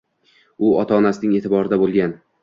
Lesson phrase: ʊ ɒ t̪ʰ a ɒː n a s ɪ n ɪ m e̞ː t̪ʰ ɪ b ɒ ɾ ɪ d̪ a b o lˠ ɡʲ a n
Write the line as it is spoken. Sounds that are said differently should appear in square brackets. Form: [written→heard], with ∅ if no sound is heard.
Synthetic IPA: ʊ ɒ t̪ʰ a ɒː n a s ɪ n ɪ [m→ŋ] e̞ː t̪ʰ ɪ b ɒ ɾ ɪ d̪ a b o lˠ ɡʲ a n